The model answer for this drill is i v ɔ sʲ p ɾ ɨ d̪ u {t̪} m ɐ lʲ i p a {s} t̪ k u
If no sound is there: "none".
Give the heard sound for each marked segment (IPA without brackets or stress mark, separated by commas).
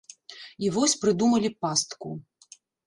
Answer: none, s